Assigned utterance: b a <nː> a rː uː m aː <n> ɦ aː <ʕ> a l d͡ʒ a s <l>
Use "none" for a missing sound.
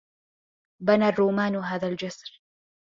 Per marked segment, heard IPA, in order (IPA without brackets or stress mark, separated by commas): n, n, ð, ɾ